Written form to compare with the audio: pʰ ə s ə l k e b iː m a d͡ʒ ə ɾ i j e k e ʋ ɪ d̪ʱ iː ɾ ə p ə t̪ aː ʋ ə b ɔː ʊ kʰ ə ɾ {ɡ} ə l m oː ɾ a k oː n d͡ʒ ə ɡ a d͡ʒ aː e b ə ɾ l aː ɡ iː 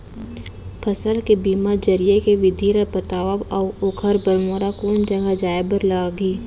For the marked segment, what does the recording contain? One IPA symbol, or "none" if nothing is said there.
b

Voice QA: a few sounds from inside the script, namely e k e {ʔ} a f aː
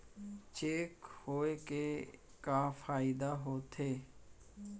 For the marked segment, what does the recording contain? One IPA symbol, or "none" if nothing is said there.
k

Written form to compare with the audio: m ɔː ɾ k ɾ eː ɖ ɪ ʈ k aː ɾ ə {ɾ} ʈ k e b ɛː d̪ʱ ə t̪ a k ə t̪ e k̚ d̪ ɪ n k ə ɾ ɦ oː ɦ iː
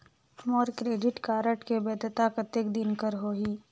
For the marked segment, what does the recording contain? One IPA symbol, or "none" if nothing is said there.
none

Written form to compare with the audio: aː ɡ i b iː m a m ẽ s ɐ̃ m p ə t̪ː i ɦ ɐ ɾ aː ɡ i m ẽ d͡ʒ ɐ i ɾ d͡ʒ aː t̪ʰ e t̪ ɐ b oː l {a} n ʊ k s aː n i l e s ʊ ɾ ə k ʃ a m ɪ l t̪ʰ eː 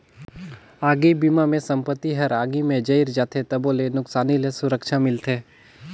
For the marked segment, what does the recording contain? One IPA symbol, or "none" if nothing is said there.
e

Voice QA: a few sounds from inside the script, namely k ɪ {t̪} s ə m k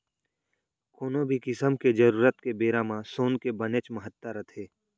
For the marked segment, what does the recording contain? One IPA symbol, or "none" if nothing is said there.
none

